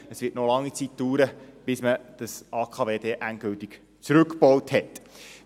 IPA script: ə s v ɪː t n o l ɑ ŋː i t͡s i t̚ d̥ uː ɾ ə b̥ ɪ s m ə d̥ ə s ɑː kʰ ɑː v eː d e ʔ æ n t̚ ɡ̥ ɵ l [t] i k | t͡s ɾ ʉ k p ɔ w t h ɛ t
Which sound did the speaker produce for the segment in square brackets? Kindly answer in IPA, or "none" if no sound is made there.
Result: t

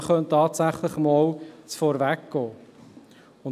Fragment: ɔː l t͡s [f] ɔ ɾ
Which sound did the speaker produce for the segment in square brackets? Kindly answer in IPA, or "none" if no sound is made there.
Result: f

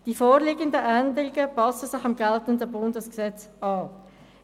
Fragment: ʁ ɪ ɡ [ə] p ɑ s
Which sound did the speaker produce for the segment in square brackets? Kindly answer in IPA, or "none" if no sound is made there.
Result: ə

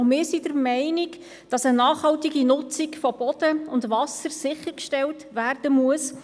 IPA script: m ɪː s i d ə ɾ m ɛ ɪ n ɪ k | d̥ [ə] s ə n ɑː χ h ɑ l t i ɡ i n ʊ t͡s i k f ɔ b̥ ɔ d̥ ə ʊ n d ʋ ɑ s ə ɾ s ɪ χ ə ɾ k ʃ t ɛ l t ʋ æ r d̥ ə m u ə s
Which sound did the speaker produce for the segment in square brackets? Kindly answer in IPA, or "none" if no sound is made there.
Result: ɑ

